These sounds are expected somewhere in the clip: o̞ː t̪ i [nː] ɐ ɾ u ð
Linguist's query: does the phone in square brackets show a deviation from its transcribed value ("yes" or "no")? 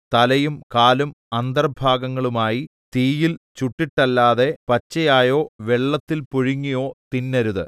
no